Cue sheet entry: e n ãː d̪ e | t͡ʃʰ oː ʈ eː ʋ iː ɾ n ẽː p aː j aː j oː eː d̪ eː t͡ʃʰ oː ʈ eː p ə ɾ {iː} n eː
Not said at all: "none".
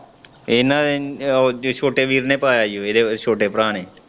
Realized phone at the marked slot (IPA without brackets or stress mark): aː